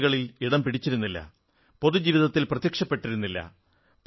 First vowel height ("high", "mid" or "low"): low